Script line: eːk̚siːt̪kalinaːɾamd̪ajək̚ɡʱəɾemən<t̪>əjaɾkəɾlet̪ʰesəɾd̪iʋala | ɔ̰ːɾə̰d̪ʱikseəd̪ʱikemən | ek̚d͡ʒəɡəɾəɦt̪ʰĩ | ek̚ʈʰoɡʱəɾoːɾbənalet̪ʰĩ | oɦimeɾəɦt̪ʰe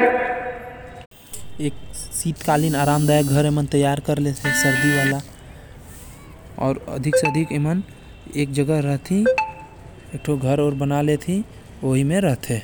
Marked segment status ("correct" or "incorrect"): correct